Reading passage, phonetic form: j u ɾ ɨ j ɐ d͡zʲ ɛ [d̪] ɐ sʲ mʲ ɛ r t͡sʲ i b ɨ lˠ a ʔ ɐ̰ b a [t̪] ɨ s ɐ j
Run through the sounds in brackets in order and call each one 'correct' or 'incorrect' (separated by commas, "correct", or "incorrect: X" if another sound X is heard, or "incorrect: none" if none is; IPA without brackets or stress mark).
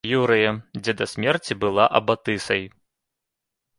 correct, correct